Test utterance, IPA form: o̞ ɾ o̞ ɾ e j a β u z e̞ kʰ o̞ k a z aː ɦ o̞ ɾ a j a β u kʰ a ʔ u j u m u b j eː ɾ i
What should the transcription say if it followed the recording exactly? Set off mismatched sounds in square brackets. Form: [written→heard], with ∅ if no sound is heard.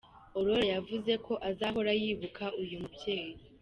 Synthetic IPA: o̞ ɾ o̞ ɾ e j a [β→v] u z e̞ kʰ o̞ [k→ʔ] a z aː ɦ o̞ ɾ a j [a→i] β u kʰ a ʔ u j u m u b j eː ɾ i